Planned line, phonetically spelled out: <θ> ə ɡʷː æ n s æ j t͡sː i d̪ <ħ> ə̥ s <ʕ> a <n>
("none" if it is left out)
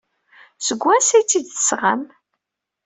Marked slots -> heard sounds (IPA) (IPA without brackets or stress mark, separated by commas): s, θ, ʁ, m